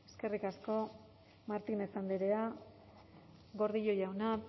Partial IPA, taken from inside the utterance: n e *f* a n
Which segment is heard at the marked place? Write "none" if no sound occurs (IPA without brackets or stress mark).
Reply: s